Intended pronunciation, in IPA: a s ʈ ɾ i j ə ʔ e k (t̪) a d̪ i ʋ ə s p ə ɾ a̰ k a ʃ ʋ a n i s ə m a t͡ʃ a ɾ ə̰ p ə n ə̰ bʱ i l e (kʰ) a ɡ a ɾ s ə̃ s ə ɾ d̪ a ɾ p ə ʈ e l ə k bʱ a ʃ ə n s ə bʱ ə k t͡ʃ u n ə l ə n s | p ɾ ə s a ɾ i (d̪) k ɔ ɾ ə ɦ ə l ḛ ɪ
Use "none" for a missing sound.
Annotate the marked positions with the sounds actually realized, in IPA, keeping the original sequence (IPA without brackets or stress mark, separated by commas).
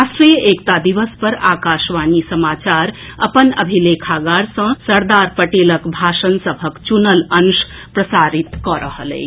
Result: t̪, kʰ, t̪